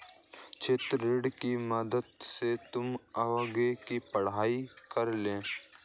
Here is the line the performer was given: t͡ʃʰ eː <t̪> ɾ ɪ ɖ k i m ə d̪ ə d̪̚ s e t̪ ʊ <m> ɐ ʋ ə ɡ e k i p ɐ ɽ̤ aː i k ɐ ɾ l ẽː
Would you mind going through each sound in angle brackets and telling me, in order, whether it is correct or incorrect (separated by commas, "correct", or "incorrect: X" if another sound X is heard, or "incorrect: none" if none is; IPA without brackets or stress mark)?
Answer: correct, correct